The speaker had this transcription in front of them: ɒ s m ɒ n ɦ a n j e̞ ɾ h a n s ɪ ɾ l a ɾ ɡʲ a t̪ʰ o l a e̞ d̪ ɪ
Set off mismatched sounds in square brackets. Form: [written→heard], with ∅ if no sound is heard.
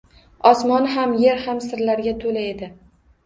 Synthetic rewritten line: ɒ s m ɒ n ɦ a [n→m] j e̞ ɾ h a [n→m] s ɪ ɾ l a ɾ ɡʲ a t̪ʰ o l a e̞ d̪ ɪ